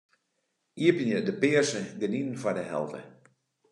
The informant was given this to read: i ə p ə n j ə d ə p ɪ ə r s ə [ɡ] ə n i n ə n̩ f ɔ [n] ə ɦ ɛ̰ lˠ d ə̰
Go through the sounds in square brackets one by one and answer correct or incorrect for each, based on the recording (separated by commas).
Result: correct, incorrect